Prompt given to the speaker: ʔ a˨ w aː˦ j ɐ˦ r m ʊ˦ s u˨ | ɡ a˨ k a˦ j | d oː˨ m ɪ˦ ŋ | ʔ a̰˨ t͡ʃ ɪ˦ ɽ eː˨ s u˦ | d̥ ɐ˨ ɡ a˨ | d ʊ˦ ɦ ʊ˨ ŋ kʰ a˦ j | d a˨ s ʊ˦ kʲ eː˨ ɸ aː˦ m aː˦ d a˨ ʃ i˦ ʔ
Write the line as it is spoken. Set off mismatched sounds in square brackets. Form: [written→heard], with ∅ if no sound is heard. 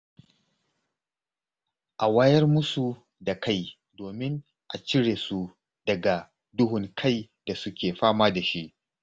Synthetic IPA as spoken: ʔ a˨ w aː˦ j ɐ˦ r m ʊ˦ s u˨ | [ɡ→d] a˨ k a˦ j | d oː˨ m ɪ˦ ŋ | ʔ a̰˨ t͡ʃ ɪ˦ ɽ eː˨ s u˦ | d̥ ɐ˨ ɡ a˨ | d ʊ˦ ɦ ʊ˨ ŋ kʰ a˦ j | d a˨ s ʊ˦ kʲ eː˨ ɸ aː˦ m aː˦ d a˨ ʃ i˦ ʔ